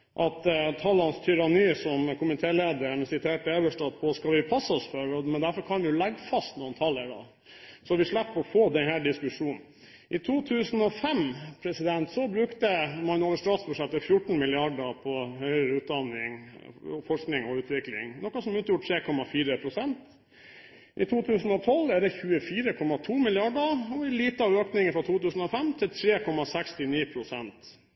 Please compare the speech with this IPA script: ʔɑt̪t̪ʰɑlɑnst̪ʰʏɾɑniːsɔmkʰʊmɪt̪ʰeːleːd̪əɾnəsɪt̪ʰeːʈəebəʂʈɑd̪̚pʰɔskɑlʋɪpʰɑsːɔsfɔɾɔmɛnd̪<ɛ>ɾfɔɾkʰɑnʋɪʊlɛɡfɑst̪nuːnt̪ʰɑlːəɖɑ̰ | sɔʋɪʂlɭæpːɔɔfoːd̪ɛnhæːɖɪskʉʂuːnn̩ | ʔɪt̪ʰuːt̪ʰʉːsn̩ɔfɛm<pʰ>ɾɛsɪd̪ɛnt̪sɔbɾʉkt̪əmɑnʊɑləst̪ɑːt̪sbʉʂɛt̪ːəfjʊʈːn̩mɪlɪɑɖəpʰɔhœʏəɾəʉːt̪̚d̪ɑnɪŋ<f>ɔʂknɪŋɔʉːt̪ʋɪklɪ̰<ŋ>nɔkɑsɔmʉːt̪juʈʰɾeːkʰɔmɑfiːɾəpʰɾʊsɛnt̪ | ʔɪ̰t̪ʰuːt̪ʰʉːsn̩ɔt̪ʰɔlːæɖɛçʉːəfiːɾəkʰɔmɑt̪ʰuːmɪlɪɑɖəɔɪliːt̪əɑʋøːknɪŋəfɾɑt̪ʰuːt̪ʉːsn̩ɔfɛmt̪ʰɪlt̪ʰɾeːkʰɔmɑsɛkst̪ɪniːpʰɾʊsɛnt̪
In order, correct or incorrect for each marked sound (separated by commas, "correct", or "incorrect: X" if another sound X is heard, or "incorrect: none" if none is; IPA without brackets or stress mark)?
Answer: incorrect: æ, correct, correct, correct